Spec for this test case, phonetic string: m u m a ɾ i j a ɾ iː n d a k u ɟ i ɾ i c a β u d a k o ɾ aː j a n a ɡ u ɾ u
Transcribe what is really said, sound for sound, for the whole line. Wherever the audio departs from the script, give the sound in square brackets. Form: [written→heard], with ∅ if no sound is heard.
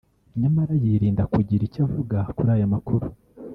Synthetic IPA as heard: [m→ɲ] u m a ɾ [i→a] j [a→i] ɾ iː n d a k u ɟ i ɾ i c a [β→v] u [d→ɡ] a k [o→u] ɾ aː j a [n→m] a [ɡ→k] u ɾ u

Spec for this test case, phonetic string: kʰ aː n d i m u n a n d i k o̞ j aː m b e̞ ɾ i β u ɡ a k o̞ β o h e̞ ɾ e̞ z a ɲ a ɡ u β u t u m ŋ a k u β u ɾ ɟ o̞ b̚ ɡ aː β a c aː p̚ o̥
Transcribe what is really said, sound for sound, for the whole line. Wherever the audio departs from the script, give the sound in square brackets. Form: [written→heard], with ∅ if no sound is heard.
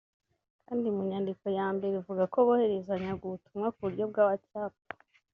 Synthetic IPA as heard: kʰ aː n d i m u [n→ɲ] a n d i k o̞ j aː m b e̞ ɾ i [β→v] u ɡ a k o̞ β o h e̞ ɾ e̞ z a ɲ a ɡ u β u t u m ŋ a k u β u ɾ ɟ o̞ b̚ ɡ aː β a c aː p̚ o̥

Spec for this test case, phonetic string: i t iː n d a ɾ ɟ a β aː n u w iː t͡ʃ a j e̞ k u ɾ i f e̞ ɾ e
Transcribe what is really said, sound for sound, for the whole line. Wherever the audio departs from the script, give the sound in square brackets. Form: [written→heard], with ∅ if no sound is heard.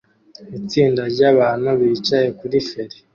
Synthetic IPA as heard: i [t→t͡s] iː n d a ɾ ɟ a β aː n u [w→β] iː t͡ʃ a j e̞ k u ɾ i f e̞ ɾ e

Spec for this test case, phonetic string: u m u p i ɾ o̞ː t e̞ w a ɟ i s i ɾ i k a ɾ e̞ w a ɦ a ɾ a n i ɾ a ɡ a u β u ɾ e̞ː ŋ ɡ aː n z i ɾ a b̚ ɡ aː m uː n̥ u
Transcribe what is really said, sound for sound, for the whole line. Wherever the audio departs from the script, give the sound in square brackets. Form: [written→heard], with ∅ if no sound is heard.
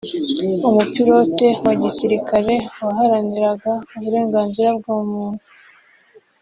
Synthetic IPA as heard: u m u p i ɾ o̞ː t e̞ w a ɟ i s i ɾ i k a ɾ e̞ w a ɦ a ɾ a n i ɾ a ɡ a u β u ɾ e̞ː ŋ ɡ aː n z i ɾ a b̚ ɡ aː m uː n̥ u

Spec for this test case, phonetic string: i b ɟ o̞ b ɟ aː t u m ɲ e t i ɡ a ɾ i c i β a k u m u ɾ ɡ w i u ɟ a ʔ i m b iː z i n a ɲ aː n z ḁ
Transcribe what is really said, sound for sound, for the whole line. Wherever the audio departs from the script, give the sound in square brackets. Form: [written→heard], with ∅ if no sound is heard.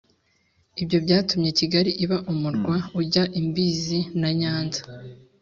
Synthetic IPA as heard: i b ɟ o̞ b ɟ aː t u m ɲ e [t→c] i ɡ a ɾ i [c→ʔ] i β a [k→ʔ] u m u ɾ ɡ w [i→a] u ɟ a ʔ i m b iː z i n a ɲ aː n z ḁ

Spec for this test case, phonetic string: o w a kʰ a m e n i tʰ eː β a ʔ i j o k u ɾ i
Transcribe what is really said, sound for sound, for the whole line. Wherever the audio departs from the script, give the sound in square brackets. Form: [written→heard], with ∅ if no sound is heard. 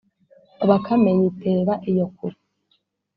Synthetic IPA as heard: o [w→β] a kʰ a m e [n→ɲ] i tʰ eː β a ʔ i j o k u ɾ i

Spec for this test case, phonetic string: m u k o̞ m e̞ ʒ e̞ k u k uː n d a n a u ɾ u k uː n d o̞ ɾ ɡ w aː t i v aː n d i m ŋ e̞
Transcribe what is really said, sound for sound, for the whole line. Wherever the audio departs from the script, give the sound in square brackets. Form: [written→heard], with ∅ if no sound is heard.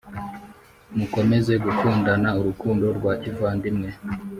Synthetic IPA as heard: m u k o̞ m e̞ [ʒ→z] e̞ [k→ɡ] u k uː n d a n a u ɾ u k uː n d o̞ ɾ ɡ w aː [t→c] i v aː n d i m ŋ e̞

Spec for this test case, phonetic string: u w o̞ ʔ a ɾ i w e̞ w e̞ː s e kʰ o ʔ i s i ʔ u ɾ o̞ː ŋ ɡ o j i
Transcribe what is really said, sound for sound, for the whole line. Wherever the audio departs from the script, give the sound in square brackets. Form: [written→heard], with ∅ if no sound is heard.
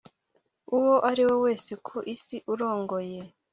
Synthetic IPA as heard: u w o̞ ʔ a ɾ i w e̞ w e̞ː s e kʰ o ʔ i s i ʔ u ɾ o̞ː ŋ ɡ o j [i→e]

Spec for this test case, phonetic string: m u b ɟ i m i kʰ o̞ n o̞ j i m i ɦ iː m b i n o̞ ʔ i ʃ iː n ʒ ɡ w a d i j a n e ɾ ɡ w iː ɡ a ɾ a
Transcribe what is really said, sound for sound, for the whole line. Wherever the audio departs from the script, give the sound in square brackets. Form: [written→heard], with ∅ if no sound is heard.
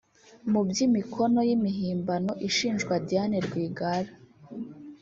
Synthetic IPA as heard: m u b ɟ i m i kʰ o̞ n o̞ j i m i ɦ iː m b [i→a] n o̞ ʔ i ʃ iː n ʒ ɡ w a d i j a n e ɾ ɡ w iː ɡ a ɾ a

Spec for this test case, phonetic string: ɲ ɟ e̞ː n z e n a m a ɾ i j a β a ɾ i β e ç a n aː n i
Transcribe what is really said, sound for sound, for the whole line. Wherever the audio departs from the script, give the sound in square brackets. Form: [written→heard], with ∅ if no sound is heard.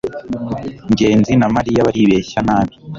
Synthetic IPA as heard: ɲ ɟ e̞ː n z [e→i] n a m a ɾ i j a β a ɾ i β e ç a n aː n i

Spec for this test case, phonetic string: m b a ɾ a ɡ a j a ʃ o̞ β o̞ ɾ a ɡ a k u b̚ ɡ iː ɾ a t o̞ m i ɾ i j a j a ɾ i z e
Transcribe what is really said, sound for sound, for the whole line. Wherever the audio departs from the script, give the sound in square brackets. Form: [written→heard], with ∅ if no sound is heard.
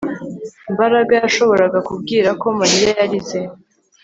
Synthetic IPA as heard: m b a ɾ a ɡ a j a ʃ o̞ β o̞ ɾ a ɡ a k u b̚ ɡ iː ɾ a [t→k] o̞ m [i→a] ɾ i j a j a ɾ i z e

